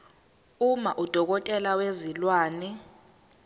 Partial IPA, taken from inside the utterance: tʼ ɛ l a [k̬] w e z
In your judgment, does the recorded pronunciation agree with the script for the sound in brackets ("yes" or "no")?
no